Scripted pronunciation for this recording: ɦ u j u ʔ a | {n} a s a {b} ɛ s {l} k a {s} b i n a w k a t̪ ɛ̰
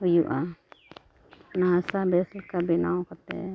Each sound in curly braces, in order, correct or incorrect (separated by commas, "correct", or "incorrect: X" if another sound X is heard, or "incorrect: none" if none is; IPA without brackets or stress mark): correct, correct, correct, incorrect: none